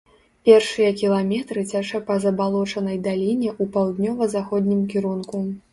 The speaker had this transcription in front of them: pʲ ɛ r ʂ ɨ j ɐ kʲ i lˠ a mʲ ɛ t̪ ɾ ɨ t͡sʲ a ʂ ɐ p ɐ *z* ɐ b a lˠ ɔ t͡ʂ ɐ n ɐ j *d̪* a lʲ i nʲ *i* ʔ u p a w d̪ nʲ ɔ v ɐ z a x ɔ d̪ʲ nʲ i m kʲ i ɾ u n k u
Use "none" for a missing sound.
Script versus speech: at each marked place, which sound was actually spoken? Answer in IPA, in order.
z, d̪, ɛ

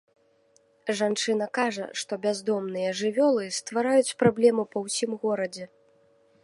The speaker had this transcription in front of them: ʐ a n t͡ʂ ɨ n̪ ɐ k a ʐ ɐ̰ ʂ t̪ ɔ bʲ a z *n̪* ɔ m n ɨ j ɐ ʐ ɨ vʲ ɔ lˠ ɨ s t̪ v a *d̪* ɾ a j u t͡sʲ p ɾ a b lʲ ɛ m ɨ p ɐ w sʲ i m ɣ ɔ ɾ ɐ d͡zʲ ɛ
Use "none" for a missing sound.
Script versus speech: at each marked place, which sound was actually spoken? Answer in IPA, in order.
d̪, none

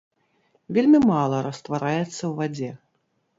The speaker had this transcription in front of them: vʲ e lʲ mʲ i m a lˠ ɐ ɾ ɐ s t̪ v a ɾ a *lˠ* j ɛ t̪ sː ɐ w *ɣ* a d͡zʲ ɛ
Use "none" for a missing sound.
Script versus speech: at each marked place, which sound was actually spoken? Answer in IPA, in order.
none, v

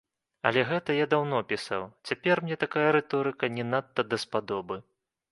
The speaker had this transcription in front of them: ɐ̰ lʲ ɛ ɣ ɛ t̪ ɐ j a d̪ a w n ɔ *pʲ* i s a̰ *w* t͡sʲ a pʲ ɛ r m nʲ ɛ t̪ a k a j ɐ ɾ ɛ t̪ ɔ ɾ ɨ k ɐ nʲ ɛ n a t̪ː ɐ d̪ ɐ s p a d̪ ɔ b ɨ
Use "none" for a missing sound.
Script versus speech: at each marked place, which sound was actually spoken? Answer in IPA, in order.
pʲ, w

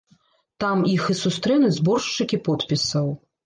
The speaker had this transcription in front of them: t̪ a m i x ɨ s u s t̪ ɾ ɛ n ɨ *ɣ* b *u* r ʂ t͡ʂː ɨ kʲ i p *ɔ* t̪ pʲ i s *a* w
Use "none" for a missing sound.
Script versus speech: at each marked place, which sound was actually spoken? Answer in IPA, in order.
z, ɔ, ɔ, ɐ

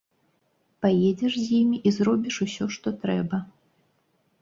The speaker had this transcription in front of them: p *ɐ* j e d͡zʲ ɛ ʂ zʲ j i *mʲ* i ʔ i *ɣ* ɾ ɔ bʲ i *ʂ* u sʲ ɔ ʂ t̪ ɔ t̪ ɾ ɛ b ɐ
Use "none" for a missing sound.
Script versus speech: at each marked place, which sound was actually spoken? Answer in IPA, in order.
a, mʲ, z, ʂ

